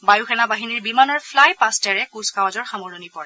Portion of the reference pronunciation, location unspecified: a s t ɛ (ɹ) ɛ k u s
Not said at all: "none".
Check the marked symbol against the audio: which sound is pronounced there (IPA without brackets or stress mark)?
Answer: ɹ